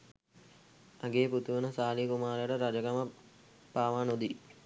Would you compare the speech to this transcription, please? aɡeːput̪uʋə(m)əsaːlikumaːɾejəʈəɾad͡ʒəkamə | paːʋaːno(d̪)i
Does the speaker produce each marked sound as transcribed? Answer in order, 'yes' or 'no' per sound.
no, yes

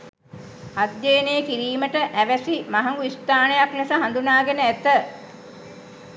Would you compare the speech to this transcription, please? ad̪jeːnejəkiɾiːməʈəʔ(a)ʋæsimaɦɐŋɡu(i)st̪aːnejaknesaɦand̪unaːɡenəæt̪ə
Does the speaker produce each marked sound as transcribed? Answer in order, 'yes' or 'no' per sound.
no, yes

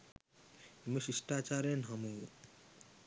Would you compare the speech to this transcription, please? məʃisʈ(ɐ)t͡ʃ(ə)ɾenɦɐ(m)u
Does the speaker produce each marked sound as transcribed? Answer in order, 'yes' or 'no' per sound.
no, no, yes

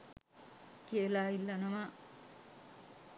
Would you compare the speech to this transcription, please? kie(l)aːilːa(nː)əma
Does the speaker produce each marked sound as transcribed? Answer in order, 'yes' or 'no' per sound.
yes, no

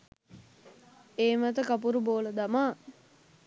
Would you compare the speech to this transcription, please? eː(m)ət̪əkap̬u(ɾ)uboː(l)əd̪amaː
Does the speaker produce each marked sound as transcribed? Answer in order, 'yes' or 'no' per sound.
yes, yes, yes

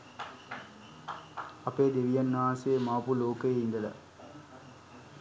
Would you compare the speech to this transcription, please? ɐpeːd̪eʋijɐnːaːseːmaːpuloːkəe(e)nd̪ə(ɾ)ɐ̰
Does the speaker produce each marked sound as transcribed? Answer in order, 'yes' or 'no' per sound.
no, no

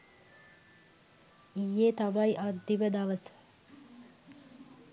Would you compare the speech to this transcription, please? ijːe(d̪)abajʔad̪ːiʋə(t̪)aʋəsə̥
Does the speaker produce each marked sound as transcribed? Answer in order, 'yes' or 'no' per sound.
no, no

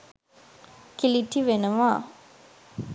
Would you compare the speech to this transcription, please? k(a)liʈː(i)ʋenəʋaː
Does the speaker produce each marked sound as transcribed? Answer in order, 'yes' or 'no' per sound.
no, yes

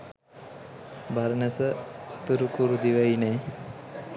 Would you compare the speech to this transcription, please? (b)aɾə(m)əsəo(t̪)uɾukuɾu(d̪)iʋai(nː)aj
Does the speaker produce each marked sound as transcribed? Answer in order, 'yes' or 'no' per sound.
yes, no, yes, yes, no

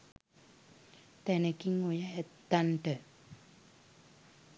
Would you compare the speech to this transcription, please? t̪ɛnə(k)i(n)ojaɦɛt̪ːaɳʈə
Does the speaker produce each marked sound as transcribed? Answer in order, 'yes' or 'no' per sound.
yes, no

